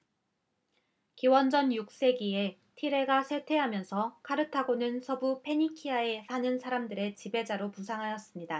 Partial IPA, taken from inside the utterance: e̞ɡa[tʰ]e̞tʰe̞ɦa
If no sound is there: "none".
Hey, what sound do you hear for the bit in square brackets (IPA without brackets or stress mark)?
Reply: sʰ